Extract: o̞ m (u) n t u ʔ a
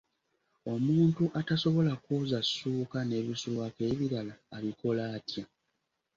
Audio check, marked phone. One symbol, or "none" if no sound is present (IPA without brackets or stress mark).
uː